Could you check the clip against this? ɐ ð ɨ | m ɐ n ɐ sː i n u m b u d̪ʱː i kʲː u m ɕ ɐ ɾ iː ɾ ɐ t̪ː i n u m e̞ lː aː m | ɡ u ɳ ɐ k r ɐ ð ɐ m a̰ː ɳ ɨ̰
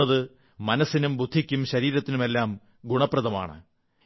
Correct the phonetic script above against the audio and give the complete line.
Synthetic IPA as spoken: ɐ ð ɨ | m ɐ n ɐ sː i n u m b u d̪ʱː i kʲː u m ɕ ɐ ɾ iː ɾ ɐ t̪ː i n u m e̞ lː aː m | ɡ u ɳ ɐ p r ɐ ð ɐ m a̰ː ɳ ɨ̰